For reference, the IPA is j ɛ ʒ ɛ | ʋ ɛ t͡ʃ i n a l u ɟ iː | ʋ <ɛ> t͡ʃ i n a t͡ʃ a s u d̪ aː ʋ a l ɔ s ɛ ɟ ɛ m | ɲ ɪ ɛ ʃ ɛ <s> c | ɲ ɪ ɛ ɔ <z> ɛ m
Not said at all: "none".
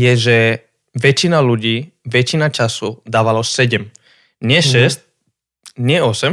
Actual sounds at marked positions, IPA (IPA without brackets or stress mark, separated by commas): ɛ, s, s